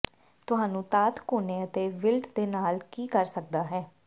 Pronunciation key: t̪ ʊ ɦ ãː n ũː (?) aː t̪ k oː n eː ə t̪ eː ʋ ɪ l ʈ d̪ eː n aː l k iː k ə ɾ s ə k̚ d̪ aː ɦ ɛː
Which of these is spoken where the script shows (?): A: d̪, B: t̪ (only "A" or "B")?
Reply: B